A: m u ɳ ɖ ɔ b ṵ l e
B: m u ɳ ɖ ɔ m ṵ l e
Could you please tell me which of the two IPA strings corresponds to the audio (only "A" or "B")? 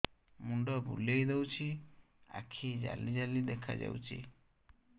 A